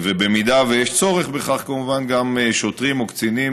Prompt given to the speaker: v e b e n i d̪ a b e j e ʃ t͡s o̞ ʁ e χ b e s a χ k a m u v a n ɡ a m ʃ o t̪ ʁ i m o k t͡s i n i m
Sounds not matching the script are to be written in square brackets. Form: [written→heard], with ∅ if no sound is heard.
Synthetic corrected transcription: v e b e [n→m] i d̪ a [b→v] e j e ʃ t͡s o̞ ʁ e χ b e [s→χ] a χ k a m u v a n ɡ a m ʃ o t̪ ʁ i m o k t͡s i n i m